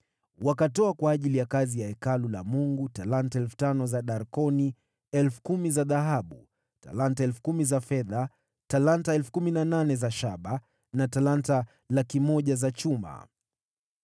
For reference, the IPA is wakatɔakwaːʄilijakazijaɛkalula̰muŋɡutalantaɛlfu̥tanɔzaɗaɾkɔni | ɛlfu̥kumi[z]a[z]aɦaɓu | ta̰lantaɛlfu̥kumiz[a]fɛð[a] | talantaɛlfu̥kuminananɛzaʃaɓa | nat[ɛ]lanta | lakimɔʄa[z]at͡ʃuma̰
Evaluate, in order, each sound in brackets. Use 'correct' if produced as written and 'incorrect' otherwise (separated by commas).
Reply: correct, incorrect, correct, correct, incorrect, correct